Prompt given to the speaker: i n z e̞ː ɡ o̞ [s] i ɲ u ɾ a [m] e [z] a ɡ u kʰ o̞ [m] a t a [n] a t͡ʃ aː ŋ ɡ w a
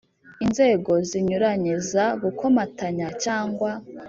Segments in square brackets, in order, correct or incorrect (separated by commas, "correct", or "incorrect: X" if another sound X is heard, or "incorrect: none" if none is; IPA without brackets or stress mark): incorrect: z, incorrect: ɲ, correct, correct, incorrect: ɲ